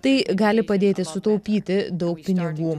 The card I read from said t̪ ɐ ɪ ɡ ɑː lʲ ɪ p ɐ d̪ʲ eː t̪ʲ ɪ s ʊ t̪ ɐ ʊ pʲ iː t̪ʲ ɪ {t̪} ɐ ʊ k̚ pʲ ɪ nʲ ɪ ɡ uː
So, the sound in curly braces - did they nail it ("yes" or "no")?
no